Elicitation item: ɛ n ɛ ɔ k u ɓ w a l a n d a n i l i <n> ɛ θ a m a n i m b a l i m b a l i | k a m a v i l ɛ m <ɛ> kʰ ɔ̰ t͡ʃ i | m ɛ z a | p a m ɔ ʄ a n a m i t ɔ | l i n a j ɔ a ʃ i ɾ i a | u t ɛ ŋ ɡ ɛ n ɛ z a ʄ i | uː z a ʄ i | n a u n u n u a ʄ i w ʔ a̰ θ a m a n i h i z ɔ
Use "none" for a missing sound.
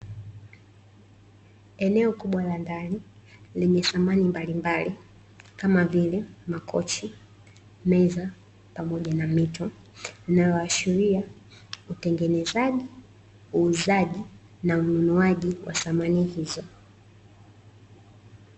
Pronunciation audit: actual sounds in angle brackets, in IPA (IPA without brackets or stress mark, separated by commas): ɲ, a